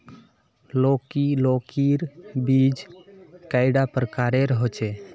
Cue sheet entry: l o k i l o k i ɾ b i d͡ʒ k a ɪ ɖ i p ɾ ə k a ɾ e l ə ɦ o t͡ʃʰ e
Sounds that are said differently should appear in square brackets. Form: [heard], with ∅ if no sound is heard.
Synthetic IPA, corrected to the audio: l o k i l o k i ɾ b i d͡ʒ k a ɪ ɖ [a] p ɾ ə k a ɾ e [ɾ] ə ɦ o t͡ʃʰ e